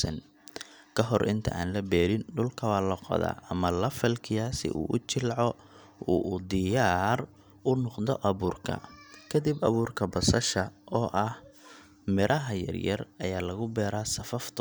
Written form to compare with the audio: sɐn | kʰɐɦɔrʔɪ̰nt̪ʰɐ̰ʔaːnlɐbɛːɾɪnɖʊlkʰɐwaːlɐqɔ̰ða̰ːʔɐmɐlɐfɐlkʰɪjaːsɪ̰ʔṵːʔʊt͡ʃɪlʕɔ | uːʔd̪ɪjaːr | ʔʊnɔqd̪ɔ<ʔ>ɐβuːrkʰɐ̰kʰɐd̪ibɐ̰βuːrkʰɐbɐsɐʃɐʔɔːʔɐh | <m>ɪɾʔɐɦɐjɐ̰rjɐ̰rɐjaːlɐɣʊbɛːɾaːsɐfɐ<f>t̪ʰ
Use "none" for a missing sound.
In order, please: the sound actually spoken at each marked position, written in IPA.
ʔ, m, f

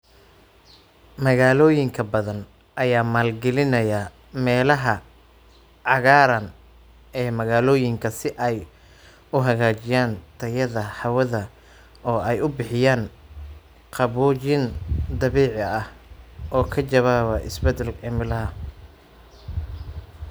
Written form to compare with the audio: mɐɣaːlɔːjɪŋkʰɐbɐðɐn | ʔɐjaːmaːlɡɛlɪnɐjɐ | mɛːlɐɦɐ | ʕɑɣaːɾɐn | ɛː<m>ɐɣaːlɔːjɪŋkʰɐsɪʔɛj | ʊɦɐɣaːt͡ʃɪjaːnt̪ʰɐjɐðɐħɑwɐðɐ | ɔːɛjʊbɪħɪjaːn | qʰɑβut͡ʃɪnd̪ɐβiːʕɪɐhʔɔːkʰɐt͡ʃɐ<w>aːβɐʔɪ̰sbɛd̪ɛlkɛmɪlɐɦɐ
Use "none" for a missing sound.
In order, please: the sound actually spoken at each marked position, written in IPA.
m, β

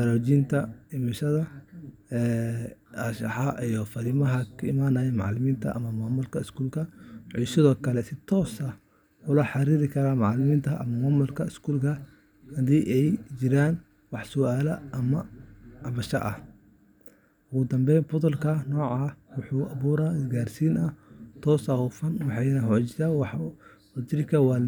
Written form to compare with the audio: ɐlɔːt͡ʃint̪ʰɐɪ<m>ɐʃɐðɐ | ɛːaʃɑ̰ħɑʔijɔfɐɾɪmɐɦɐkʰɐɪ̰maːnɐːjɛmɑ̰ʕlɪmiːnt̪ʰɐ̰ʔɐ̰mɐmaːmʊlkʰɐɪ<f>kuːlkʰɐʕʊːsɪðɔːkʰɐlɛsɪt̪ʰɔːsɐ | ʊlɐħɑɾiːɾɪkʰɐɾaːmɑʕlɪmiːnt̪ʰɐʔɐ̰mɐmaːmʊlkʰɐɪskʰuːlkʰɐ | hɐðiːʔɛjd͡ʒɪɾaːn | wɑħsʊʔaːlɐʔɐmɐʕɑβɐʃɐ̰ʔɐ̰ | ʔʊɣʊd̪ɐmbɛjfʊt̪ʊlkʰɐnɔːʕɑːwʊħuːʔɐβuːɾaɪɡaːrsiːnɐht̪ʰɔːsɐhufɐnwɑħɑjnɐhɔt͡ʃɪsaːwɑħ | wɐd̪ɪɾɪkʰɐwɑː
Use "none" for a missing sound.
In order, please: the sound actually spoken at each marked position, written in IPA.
m, s

